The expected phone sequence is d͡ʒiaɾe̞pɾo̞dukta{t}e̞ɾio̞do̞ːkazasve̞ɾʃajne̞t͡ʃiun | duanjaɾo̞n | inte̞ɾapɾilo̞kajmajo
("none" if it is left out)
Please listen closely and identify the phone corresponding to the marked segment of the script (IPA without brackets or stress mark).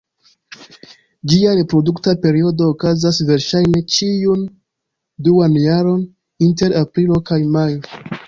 p